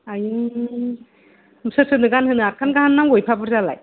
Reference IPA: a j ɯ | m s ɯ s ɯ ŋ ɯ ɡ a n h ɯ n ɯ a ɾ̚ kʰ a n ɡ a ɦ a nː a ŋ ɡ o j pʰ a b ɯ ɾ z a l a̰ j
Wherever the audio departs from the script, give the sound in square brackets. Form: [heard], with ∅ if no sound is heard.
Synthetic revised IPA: a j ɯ | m s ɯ s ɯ [n] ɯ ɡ a n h ɯ n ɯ a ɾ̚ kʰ a n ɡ a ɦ a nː a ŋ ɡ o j pʰ a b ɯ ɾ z a l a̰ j